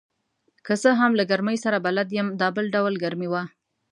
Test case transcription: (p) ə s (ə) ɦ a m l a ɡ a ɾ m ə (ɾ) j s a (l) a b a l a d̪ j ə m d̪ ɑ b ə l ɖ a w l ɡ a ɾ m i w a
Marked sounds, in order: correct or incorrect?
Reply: incorrect: k, correct, incorrect: none, incorrect: ɾ

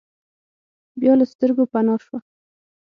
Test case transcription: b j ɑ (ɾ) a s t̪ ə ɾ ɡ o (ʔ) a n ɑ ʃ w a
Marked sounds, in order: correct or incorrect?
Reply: incorrect: l, incorrect: p

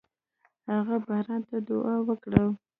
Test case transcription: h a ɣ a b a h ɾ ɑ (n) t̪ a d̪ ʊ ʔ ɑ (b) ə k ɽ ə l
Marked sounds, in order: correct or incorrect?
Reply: correct, incorrect: w

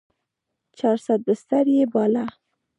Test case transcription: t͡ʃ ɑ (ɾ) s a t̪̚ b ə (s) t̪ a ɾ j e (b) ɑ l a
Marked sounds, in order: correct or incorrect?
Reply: correct, correct, correct

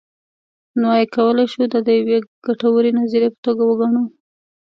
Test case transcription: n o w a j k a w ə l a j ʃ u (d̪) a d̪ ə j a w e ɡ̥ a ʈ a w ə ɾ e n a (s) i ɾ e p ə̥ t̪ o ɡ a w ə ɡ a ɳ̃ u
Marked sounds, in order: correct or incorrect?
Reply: correct, incorrect: z

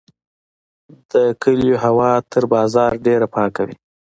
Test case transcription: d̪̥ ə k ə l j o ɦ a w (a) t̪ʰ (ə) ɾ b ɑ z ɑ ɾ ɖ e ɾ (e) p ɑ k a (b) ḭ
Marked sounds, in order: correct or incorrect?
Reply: incorrect: ɑ, correct, incorrect: a, incorrect: w

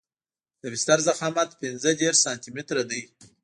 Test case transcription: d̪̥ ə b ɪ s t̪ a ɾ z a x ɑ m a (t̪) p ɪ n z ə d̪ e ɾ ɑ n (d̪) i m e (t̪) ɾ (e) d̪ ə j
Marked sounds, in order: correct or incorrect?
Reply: correct, incorrect: t̪, correct, incorrect: a

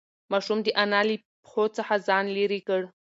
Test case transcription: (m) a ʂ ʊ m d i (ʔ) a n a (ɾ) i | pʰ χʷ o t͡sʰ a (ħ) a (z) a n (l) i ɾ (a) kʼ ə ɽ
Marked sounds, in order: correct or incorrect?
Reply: correct, correct, incorrect: l, correct, correct, correct, incorrect: i

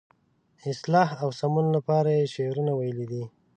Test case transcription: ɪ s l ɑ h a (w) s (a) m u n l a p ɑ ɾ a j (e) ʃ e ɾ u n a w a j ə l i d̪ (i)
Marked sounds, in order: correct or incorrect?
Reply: correct, correct, correct, correct

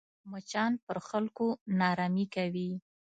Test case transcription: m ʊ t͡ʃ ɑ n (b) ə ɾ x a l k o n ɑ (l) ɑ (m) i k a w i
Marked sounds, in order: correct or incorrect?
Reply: incorrect: p, incorrect: ɾ, correct

